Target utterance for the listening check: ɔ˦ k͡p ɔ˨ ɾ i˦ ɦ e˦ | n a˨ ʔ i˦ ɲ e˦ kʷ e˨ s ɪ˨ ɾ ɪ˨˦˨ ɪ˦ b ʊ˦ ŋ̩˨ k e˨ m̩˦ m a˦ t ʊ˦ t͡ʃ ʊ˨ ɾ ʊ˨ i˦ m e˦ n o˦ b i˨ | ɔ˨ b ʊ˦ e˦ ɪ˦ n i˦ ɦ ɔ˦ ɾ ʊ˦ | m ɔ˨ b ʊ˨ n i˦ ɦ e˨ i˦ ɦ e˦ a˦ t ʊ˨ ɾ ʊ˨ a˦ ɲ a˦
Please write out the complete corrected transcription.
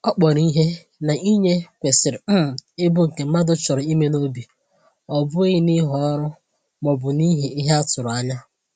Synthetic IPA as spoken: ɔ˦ k͡p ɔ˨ ɾ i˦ ɦ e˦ | n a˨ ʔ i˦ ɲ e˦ kʷ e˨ s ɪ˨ ɾ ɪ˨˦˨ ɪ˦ b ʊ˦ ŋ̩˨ k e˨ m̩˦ m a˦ d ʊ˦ t͡ʃ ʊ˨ ɾ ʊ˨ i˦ m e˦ n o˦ b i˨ | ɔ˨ b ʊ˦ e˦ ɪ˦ n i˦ ɦ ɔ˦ ɾ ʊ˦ | m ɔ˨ b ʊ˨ n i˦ ɦ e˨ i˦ ɦ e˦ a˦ t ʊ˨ ɾ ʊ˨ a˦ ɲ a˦

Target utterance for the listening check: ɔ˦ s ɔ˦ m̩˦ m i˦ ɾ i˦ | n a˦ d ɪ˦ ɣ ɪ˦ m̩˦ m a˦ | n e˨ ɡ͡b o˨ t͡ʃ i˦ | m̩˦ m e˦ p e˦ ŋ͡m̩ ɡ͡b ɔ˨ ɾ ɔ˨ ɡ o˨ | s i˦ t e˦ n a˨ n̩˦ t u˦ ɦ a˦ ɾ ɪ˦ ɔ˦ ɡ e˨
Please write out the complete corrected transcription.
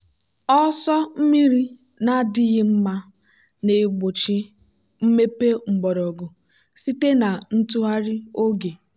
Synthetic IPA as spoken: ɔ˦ s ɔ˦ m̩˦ m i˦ ɾ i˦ | n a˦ d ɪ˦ ɣ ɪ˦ m̩˦ m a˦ | n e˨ ɡ͡b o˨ t͡ʃ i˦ | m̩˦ m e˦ p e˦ ŋ͡m̩ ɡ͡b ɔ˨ ɾ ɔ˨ ɡ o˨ | s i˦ t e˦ n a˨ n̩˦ t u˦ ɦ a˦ ɾ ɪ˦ o˦ ɡ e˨

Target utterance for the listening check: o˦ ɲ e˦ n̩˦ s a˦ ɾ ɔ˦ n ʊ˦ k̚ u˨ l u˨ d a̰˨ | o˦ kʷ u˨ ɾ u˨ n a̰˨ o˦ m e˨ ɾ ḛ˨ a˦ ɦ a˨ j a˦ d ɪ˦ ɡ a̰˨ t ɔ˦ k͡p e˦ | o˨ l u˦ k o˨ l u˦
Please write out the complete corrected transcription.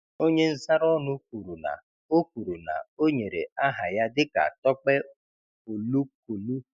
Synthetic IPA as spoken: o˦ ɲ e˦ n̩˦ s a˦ ɾ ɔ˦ n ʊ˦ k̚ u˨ ɾ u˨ n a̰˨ | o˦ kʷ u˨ ɾ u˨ n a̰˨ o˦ ɲ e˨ ɾ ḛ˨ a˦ ɦ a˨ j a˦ d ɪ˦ k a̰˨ t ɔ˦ k͡p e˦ | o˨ l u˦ k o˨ l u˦

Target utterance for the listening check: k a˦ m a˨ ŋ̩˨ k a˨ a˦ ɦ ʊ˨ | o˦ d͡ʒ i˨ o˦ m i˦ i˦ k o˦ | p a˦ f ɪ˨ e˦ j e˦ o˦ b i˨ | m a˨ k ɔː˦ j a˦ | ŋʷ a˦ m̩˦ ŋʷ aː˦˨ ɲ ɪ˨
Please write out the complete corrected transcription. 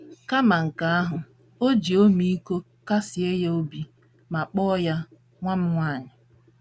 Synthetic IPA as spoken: k a˦ m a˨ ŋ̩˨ k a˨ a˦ ɦ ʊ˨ | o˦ d͡ʒ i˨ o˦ m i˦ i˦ k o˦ | k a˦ s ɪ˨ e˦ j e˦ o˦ b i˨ | m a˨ k͡p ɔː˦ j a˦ | ŋʷ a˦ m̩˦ ŋʷ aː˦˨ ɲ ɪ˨

